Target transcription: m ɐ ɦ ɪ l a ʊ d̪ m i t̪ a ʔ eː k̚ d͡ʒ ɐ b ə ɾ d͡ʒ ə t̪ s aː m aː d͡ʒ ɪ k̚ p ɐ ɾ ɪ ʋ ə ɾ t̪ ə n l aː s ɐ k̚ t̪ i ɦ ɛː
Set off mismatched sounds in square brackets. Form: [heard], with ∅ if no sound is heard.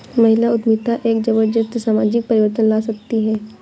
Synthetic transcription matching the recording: m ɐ ɦ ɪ l a ʊ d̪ m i t̪ a ʔ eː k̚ d͡ʒ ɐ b ə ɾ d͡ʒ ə t̪ s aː m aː d͡ʒ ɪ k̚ p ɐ ɾ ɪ ʋ ə ɾ t̪ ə n l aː s ɐ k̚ t̪ i ɦ ɛː

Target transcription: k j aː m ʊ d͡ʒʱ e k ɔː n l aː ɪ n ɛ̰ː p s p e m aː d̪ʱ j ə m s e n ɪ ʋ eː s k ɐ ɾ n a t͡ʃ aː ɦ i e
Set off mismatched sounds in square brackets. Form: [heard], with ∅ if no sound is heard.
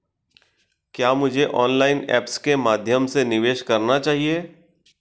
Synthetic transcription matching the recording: k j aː m ʊ d͡ʒʱ e [ʔ] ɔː n l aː ɪ n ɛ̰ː p s [k] e m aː d̪ʱ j ə m s e n ɪ ʋ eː [ʃ] k ɐ ɾ n a t͡ʃ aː ɦ i e

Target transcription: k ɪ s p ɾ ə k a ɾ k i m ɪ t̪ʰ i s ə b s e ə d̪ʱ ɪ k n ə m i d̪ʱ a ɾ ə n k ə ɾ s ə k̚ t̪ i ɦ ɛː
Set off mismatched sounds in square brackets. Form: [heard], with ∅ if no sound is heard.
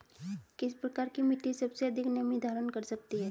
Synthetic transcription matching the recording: k ɪ s p ɾ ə k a ɾ k i m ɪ [t̪] i s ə b s e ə d̪ʱ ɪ k n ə m i d̪ʱ a ɾ ə n k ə ɾ s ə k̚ t̪ i ɦ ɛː

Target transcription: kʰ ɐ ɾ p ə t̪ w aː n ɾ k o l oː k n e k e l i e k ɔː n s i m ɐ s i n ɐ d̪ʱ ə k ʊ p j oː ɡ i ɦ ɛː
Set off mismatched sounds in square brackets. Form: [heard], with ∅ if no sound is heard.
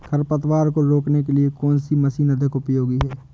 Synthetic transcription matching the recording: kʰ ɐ ɾ p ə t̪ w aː [∅] ɾ k o [ɾ] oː k n e k e l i e k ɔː n s i m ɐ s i n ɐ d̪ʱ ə k ʊ p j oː ɡ i ɦ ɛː

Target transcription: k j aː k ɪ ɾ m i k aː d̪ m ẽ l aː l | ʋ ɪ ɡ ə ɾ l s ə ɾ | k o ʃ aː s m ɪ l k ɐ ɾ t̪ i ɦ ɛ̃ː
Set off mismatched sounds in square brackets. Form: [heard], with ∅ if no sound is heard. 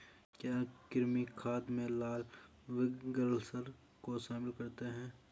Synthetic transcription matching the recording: k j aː k ɪ ɾ m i [kʰ] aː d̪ m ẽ l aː l | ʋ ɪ ɡ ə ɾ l s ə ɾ | k o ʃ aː [∅] m ɪ l k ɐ ɾ t̪ [e] ɦ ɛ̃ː

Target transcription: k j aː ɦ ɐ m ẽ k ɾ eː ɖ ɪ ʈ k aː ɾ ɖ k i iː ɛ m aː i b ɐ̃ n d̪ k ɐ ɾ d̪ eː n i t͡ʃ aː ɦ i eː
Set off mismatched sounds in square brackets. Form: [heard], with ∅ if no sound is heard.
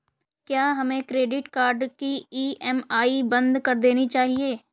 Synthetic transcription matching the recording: k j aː ɦ ɐ m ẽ k ɾ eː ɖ ɪ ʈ k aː ɾ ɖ k i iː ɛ m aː i b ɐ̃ n d̪ k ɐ ɾ d̪ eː n i t͡ʃ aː ɦ i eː

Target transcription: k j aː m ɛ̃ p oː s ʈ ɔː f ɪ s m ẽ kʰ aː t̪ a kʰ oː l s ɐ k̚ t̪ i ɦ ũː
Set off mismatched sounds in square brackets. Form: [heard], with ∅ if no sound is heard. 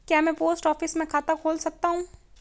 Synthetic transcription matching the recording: k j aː m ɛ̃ p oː s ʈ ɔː f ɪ s m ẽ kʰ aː t̪ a kʰ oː l s ɐ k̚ t̪ [a] ɦ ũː

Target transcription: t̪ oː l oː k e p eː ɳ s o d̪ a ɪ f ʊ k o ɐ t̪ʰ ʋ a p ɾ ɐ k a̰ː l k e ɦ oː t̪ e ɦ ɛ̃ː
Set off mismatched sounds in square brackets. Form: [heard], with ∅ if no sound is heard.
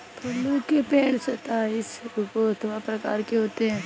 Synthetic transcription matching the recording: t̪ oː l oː k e p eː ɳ s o [t̪] a ɪ [s] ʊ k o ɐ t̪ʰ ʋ a p ɾ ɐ k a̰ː [ɾ] k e ɦ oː t̪ e ɦ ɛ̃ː

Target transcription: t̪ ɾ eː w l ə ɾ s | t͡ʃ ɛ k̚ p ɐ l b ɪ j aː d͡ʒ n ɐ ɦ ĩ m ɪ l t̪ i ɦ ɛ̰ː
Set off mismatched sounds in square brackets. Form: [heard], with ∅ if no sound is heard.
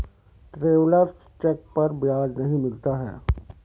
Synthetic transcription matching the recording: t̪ ɾ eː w l ə ɾ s | t͡ʃ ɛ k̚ p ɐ [ɾ] b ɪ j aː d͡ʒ n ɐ ɦ ĩ m ɪ l t̪ [a] ɦ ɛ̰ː

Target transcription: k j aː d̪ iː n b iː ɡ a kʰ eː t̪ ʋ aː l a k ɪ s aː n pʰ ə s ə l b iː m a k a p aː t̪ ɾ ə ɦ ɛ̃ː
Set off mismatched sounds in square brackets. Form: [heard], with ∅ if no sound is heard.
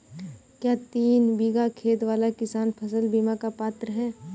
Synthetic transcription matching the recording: k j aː [t̪] iː n b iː ɡ a kʰ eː t̪ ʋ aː l a k ɪ s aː n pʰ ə s ə l b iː m a k a p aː t̪ ɾ ə ɦ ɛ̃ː

